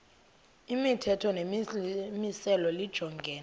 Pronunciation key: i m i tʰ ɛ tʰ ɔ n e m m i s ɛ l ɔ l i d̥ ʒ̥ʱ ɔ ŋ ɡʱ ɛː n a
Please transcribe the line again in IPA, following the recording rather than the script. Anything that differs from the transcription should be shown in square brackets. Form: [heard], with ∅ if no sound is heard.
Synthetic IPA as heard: i m i tʰ ɛ tʰ ɔ n e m m i s ɛ l ɔ l i d̥ ʒ̥ʱ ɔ ŋ ɡʱ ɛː n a